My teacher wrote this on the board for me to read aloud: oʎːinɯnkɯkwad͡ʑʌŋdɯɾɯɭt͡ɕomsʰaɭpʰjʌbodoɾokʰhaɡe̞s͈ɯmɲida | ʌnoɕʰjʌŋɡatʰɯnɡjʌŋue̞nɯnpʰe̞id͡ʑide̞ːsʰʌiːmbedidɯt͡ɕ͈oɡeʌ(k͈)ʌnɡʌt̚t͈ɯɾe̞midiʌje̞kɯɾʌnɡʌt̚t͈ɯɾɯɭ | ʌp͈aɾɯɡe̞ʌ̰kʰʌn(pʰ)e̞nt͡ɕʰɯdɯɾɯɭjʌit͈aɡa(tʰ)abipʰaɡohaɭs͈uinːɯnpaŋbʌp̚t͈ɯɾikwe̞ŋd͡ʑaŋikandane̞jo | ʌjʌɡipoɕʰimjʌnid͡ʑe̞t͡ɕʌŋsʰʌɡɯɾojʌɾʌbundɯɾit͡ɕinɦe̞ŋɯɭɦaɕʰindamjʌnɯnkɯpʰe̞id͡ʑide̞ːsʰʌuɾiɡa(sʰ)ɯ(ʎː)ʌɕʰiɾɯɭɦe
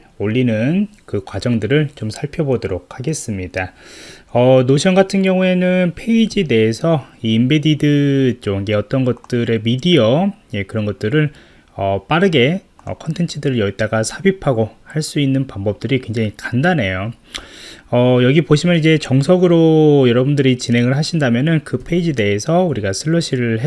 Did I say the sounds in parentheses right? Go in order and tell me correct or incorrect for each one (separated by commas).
incorrect, incorrect, incorrect, correct, incorrect